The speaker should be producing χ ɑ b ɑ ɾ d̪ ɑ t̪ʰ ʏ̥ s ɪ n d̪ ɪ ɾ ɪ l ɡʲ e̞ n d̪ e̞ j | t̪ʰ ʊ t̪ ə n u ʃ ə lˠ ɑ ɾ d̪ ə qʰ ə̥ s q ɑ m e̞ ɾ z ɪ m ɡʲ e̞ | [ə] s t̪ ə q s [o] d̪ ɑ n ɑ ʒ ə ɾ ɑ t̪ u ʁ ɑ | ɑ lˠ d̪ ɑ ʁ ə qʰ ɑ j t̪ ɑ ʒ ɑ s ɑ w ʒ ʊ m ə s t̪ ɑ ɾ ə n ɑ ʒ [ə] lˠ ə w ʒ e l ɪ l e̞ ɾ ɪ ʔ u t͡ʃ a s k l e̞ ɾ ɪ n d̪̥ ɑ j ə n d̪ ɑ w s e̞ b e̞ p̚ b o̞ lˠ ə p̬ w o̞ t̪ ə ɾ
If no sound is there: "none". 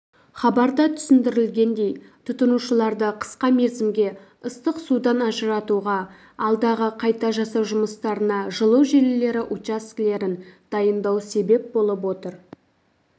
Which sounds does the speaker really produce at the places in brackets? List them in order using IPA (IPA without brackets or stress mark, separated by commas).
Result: ə, u, ə